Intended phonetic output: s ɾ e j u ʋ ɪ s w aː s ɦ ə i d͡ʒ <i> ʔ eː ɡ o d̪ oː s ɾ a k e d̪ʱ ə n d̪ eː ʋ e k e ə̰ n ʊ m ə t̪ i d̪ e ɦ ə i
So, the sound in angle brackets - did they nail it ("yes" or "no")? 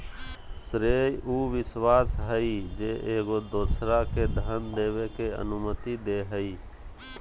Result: no